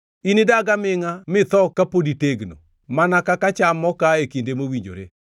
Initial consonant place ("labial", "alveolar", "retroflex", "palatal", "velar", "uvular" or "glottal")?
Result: alveolar